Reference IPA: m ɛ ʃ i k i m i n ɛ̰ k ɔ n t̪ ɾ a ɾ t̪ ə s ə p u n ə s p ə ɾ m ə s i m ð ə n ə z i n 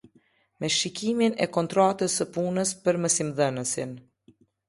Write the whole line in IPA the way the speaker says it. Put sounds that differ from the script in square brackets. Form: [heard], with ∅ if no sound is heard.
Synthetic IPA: m ɛ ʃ i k i m i n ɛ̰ k ɔ n t̪ ɾ a [∅] t̪ ə s ə p u n ə s p ə ɾ m ə s i m ð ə n ə [s] i n